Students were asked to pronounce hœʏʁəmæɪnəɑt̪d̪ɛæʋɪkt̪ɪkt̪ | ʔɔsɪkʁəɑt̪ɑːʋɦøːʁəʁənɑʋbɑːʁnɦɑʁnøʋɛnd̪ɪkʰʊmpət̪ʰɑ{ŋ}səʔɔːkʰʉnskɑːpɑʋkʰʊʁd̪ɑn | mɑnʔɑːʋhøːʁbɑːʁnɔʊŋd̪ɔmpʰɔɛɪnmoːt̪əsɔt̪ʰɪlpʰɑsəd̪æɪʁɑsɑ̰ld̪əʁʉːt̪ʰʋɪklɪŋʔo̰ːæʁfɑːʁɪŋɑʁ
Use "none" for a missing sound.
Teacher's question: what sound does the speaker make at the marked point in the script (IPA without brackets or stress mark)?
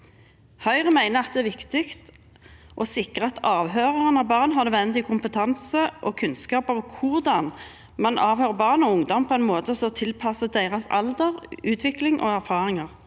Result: n